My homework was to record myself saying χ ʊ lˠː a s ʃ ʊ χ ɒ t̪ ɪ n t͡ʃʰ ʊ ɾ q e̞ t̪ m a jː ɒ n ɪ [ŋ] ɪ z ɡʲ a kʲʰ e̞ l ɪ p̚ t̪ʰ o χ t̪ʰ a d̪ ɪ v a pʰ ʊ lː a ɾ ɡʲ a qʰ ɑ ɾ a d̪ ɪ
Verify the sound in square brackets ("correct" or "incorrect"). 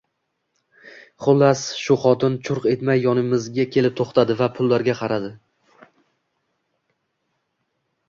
incorrect